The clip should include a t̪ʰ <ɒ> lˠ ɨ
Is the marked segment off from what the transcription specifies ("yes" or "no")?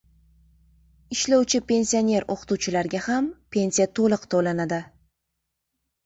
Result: yes